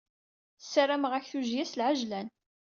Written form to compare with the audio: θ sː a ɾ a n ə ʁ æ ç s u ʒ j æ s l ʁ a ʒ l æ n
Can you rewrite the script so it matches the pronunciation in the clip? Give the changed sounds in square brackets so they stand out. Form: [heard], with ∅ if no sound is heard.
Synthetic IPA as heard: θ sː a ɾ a [m] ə ʁ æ ç [θ] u ʒ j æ s l [ʕ] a ʒ l æ n

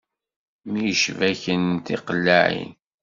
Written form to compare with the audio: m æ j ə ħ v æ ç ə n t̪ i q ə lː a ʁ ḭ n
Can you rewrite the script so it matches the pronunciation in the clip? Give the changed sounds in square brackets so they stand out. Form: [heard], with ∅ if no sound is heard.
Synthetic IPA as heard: m [i] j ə [ʃ] v æ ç ə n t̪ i q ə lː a [ʕ] ḭ n

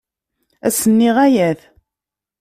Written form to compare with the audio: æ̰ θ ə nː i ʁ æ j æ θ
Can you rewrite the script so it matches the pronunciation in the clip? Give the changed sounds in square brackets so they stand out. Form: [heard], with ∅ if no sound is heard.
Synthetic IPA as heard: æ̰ [s] ə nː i ʁ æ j æ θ

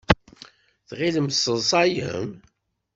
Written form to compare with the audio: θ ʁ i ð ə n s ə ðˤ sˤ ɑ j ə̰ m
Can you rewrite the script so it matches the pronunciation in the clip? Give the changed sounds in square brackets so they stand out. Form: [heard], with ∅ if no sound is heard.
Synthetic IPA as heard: θ ʁ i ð ə [m] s ə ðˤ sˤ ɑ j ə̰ m

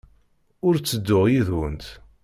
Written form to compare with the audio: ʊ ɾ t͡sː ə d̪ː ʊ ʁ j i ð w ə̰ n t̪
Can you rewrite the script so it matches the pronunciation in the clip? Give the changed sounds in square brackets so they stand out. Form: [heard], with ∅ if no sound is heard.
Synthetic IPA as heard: ʊ ɾ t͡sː ə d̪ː ʊ ʁ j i ð w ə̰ n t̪

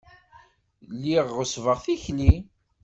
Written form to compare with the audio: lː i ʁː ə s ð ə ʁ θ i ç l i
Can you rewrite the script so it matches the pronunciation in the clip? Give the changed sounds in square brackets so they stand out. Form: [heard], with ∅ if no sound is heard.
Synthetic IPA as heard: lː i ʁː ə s [v] ə ʁ θ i ç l i

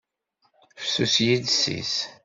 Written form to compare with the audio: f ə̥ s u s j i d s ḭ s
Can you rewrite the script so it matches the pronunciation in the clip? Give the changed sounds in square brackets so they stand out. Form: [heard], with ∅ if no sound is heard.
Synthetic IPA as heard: f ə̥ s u s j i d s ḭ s

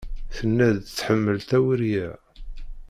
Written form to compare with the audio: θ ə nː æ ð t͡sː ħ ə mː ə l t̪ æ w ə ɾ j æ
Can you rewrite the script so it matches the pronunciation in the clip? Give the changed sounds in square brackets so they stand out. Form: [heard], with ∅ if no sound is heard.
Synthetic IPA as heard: θ ə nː æ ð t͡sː ħ ə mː ə l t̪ æ w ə ɾ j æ

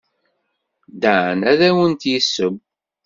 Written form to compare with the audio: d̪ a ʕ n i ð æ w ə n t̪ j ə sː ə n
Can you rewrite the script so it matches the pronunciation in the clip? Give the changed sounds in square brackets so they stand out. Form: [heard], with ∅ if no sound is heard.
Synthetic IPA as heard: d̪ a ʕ n [æ] ð æ w ə n t̪ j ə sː ə [m]

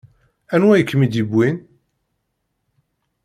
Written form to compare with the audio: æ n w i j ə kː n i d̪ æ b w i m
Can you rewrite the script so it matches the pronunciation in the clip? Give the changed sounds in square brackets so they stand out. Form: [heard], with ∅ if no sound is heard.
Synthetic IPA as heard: æ n w [æ] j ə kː [m] i d̪ [i] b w i [n]

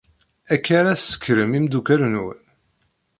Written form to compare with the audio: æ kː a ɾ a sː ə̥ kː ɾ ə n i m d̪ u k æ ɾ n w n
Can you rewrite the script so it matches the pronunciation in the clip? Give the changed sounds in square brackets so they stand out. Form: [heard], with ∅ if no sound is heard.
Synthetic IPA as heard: æ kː a ɾ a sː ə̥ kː ɾ ə [m] i m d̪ u k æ ɾ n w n

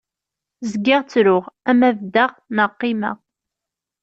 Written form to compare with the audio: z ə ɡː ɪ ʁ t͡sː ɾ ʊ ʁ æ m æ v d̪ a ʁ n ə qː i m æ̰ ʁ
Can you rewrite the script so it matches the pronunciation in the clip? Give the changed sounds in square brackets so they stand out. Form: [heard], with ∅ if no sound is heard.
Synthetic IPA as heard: z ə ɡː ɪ ʁ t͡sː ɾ ʊ ʁ æ m æ v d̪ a ʁ n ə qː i m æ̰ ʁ

